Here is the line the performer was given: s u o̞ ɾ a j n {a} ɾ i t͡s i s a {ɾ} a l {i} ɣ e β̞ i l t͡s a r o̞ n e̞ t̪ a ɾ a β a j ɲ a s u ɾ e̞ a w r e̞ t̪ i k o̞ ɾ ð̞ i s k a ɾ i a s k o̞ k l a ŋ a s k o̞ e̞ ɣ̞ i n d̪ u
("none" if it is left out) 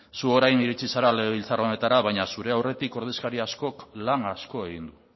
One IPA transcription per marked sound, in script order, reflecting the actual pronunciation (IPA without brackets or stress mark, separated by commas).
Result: i, ɾ, e